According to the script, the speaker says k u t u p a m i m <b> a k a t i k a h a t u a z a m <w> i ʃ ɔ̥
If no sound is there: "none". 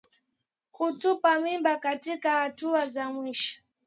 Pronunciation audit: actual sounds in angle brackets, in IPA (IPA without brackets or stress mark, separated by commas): b, w